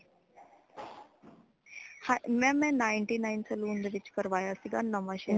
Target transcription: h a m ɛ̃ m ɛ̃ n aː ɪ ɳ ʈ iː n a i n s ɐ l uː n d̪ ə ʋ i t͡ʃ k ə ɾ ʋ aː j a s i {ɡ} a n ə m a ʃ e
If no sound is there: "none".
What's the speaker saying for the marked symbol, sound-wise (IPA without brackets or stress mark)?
ɡ